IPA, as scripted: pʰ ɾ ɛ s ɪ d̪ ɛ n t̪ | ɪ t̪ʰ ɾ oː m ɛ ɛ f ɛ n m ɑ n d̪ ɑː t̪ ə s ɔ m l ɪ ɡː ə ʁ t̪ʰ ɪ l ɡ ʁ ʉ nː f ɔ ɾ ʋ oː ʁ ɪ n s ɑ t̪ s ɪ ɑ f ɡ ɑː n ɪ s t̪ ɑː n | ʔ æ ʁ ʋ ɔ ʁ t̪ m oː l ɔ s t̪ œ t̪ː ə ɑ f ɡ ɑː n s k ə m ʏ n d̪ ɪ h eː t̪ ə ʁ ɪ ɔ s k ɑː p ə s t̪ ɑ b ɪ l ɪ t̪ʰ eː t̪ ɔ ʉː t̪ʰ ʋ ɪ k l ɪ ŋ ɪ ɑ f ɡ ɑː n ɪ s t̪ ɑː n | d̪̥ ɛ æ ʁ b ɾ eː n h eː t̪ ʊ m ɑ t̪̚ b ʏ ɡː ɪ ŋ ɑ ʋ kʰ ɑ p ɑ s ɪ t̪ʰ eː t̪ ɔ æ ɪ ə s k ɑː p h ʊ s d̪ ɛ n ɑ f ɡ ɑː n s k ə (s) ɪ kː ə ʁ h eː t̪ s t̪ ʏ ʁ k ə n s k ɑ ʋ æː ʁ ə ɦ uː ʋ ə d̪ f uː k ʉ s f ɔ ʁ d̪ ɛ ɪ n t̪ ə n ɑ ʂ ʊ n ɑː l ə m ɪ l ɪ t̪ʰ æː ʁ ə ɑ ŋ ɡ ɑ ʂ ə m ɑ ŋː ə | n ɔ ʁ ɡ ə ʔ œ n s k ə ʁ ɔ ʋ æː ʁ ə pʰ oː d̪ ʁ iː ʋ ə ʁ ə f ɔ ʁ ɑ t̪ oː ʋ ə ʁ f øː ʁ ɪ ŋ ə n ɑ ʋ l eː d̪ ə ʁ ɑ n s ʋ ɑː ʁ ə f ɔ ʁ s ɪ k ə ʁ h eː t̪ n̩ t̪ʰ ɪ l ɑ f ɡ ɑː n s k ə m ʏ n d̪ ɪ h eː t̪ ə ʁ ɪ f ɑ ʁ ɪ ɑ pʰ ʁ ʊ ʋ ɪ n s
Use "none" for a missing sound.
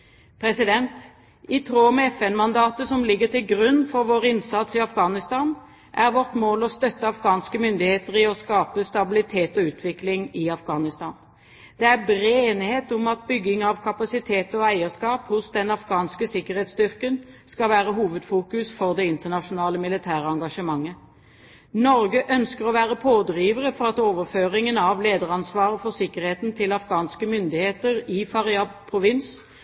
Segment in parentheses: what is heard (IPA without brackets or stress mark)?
s